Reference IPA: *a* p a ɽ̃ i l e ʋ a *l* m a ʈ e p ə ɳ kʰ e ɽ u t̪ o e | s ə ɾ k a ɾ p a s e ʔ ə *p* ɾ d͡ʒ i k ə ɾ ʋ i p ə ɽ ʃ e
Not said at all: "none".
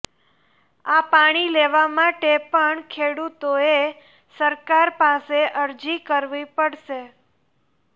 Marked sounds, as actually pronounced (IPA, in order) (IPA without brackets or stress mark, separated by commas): a, none, none